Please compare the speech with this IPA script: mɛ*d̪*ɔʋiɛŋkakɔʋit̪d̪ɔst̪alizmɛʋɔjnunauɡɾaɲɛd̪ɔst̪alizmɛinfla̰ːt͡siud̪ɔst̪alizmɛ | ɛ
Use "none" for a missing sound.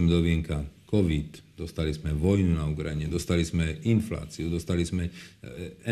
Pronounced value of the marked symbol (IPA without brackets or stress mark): d̪